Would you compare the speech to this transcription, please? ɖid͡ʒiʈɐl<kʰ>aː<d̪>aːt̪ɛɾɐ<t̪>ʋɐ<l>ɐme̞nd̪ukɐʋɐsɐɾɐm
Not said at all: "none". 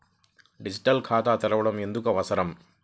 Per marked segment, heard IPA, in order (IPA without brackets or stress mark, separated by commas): kʰ, t̪, none, ɽ